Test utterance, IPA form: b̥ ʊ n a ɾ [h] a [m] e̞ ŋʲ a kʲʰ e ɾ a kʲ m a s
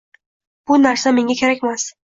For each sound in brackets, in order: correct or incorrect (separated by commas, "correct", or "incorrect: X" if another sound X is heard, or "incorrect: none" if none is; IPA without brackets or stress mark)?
incorrect: s, correct